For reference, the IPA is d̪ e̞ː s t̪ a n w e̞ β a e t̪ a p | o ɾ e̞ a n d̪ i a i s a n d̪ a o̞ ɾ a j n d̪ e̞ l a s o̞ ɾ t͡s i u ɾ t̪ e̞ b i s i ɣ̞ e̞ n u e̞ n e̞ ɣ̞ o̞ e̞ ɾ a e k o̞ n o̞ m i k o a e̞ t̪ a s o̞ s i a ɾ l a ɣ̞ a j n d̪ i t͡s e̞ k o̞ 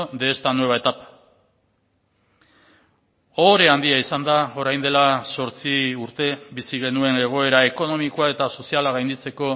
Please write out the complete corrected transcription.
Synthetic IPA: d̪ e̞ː s t̪ a n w e̞ β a e t̪ a p | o ɾ e̞ a n d̪ i a i s a n d̪ a o̞ ɾ a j n d̪ e̞ l a s o̞ ɾ t͡s i u ɾ t̪ e̞ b i s i ɣ̞ e̞ n u e̞ n e̞ ɣ̞ o̞ e̞ ɾ a e k o̞ n o̞ m i k o a e̞ t̪ a s o̞ s i a l a ɣ̞ a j n d̪ i t͡s e̞ k o̞